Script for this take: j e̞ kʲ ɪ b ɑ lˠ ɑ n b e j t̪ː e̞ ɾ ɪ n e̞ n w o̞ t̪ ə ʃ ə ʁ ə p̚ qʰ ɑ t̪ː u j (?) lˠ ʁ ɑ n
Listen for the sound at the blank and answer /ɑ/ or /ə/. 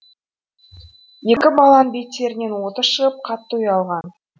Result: ɑ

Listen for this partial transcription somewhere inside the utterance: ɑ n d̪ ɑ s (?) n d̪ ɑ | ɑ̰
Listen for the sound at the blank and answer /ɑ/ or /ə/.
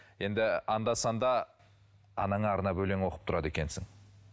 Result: ɑ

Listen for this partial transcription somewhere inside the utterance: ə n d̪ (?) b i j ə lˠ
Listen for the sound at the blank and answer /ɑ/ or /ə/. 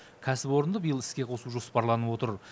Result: ə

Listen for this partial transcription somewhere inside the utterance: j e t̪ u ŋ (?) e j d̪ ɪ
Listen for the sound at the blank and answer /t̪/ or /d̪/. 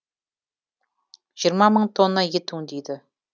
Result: d̪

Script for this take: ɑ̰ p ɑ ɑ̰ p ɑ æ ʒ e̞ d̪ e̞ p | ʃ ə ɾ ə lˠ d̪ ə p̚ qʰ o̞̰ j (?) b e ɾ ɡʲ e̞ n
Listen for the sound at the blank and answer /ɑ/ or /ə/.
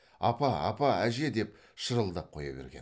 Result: ɑ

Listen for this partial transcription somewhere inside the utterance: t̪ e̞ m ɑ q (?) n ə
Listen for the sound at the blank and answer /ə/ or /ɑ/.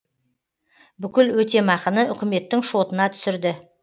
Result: ə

